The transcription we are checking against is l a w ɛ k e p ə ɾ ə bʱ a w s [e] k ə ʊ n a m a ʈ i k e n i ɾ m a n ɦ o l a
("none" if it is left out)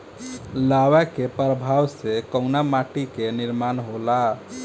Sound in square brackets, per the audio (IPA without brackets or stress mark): e